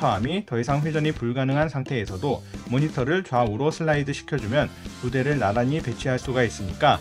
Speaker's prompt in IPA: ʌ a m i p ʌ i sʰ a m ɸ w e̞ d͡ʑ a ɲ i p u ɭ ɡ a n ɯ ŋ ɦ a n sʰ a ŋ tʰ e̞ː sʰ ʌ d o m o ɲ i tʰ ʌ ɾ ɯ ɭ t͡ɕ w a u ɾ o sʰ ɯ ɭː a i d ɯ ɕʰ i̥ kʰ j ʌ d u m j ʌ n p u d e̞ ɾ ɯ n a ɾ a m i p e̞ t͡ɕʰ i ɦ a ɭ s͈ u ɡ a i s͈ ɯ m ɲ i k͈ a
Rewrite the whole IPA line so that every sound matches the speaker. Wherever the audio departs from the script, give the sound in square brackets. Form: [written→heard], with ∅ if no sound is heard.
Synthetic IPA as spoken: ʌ a m i [p→t] ʌ i sʰ a [m→ŋ] ɸ w e̞ d͡ʑ [a→ʌ] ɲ i p u ɭ ɡ a n ɯ ŋ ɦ a n sʰ a ŋ tʰ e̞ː sʰ ʌ d o m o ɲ i tʰ ʌ ɾ ɯ ɭ t͡ɕ w a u ɾ o sʰ ɯ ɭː a i d ɯ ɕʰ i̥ kʰ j ʌ [d→d͡ʑ] u m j ʌ n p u d e̞ ɾ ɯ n a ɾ a [m→ɲ] i p e̞ t͡ɕʰ i ɦ a ɭ s͈ u ɡ a i s͈ ɯ m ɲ i k͈ a